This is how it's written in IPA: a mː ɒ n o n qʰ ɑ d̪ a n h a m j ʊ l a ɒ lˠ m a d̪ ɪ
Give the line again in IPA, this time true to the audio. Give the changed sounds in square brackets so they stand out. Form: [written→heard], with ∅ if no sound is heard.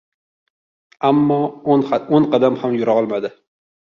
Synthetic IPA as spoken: a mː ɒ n o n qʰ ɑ d̪ a [n→m] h a m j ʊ [l→ɾ] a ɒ lˠ m a d̪ ɪ